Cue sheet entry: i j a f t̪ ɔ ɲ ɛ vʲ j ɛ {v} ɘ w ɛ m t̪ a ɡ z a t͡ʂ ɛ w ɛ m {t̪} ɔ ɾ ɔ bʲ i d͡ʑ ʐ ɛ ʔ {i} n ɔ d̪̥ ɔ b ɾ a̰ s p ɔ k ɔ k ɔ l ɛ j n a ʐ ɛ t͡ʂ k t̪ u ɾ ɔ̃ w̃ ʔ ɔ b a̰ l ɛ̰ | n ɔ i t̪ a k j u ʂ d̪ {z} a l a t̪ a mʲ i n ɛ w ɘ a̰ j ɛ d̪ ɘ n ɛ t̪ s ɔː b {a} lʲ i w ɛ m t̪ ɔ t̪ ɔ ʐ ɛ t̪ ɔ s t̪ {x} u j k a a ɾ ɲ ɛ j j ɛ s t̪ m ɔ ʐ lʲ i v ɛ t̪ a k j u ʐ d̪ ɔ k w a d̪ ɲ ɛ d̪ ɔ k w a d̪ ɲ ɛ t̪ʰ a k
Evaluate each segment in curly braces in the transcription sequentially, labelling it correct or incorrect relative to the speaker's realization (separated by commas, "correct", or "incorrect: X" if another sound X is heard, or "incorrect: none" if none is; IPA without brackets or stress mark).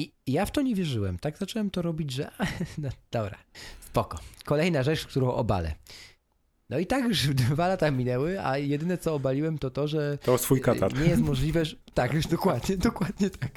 incorrect: ʐ, correct, incorrect: a, incorrect: v, correct, incorrect: f